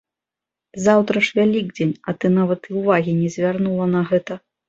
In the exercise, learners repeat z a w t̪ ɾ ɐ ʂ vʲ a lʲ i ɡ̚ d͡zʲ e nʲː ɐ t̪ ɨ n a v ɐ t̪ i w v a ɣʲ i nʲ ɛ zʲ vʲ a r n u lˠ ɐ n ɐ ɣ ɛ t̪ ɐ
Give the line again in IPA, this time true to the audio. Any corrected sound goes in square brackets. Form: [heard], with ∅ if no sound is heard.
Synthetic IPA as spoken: z a w t̪ ɾ ɐ ʂ vʲ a lʲ i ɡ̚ d͡zʲ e [nʲ] ɐ t̪ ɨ n a v ɐ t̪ i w v a ɣʲ i nʲ ɛ zʲ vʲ a r n u lˠ ɐ n ɐ ɣ ɛ t̪ ɐ